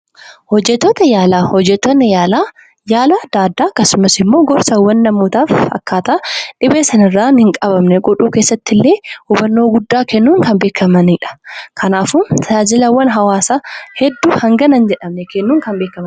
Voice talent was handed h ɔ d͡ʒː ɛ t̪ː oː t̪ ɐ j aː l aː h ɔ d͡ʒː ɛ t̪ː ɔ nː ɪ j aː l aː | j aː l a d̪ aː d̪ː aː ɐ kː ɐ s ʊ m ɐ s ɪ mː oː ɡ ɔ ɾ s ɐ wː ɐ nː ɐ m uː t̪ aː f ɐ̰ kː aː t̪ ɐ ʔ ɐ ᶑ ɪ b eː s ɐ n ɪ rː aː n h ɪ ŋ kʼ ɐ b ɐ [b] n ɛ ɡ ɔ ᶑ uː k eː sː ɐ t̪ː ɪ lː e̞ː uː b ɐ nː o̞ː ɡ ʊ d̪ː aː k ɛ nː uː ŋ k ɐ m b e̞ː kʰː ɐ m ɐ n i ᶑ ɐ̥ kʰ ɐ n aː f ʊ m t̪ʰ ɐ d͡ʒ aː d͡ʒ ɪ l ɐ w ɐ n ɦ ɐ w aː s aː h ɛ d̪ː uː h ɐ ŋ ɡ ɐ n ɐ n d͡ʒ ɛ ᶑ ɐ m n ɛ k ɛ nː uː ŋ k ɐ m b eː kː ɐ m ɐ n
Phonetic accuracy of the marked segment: incorrect: m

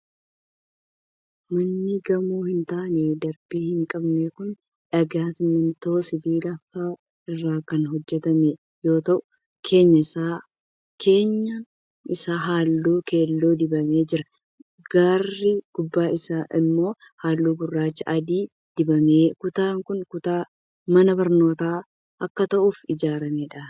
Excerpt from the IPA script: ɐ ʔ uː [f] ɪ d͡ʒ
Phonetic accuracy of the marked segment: correct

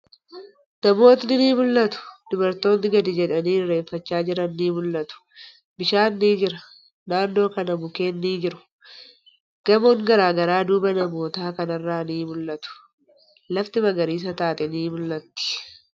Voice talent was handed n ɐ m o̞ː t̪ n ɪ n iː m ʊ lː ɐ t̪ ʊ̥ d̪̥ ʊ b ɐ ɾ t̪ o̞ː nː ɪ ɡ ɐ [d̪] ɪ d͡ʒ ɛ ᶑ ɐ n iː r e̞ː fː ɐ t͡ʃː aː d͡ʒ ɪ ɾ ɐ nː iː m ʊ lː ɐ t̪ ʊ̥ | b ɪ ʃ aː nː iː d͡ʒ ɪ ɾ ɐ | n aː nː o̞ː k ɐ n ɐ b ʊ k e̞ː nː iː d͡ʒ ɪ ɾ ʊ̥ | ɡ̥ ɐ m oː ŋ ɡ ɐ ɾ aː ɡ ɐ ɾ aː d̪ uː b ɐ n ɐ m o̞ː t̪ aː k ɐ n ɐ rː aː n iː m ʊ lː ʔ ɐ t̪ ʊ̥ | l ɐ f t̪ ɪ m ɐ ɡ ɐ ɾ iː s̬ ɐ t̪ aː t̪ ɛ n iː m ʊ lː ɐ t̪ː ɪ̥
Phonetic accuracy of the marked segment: correct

